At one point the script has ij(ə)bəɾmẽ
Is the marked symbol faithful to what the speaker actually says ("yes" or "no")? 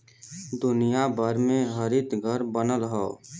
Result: no